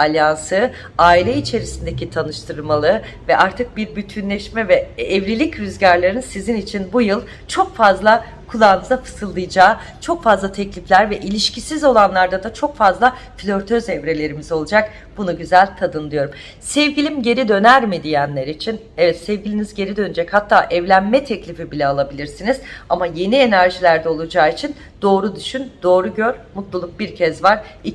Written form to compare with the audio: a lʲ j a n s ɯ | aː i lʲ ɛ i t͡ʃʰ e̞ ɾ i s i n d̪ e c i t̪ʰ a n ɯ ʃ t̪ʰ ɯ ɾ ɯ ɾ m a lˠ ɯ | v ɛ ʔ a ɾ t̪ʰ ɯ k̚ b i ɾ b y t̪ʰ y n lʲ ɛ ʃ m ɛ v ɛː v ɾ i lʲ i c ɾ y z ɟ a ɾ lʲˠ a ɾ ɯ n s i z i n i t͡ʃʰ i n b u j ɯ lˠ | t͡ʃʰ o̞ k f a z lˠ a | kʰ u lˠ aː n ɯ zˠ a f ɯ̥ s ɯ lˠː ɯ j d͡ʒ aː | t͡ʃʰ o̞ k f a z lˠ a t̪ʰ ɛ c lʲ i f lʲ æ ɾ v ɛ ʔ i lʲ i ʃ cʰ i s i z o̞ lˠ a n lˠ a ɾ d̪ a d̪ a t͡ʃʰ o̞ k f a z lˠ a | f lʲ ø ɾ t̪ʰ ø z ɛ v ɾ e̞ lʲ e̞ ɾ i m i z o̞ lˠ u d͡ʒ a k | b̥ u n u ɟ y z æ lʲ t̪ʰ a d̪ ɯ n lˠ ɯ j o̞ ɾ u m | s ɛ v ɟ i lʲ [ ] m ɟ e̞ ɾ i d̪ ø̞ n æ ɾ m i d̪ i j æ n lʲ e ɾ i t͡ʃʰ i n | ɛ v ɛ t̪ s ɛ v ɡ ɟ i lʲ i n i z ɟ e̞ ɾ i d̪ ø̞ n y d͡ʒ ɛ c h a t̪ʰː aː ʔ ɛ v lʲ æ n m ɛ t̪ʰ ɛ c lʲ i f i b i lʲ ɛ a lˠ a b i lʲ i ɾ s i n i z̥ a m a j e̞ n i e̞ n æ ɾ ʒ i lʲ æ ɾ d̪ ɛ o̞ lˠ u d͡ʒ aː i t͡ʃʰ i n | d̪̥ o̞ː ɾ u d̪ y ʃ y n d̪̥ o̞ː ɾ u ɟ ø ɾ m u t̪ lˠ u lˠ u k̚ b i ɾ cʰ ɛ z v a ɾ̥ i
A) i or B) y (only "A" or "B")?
A